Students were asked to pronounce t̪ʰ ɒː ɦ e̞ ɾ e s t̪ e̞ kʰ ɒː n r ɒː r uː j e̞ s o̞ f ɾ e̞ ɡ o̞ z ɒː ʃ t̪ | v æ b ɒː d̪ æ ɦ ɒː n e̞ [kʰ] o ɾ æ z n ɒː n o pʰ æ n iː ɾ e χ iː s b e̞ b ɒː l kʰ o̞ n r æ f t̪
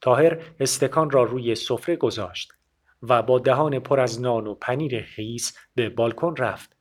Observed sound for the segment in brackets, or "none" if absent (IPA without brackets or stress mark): pʰ